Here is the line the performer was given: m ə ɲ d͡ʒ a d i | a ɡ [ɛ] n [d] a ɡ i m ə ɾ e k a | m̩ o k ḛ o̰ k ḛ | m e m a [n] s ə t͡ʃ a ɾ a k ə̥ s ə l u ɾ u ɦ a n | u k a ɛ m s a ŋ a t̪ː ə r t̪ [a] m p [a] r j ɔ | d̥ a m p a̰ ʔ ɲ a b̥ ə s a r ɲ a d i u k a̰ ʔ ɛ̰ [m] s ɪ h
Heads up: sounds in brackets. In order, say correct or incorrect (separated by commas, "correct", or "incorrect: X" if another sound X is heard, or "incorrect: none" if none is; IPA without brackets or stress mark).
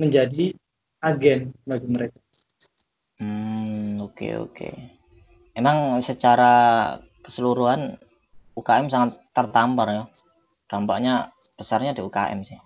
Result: correct, incorrect: b, incorrect: ŋ, correct, correct, correct